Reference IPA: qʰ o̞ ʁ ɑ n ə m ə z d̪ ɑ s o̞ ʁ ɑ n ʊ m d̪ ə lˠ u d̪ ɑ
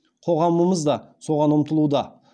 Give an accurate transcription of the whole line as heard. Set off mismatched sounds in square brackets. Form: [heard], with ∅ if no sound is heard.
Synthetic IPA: qʰ o̞ ʁ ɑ [m] ə m ə z d̪ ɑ s o̞ ʁ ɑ n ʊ m [t̪] ə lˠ u d̪ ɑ